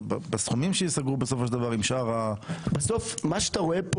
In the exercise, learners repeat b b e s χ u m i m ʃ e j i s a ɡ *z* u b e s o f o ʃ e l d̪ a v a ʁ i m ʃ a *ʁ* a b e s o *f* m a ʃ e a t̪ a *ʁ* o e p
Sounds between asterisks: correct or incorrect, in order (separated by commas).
incorrect, correct, correct, correct